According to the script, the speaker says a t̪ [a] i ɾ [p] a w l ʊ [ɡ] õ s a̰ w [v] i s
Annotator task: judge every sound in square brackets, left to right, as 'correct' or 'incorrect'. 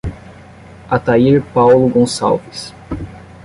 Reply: correct, correct, correct, correct

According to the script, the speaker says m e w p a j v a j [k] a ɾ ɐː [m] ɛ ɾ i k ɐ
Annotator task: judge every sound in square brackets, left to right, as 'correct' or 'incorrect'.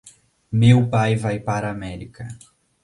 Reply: incorrect: p, correct

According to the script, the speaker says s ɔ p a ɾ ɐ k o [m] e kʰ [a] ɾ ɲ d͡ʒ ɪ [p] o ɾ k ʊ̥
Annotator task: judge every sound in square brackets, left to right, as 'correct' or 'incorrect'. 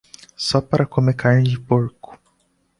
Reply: correct, correct, correct

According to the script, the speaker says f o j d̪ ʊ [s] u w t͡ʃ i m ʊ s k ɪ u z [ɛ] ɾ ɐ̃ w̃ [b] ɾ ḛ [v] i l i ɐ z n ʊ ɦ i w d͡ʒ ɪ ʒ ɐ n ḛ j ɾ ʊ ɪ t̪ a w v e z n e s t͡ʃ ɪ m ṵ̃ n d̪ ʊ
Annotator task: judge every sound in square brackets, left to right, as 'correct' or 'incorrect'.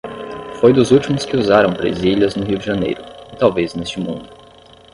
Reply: incorrect: z, incorrect: a, correct, incorrect: z

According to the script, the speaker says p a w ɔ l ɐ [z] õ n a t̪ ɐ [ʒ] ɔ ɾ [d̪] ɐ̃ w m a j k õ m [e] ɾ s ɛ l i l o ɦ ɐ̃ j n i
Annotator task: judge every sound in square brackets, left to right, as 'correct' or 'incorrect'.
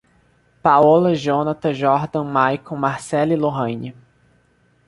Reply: incorrect: ʒ, correct, correct, incorrect: a

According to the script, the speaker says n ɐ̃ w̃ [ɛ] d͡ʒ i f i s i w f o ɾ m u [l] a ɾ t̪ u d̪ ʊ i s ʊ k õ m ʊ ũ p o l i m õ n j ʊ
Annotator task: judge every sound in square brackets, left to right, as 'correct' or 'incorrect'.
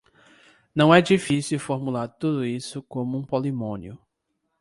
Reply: correct, correct

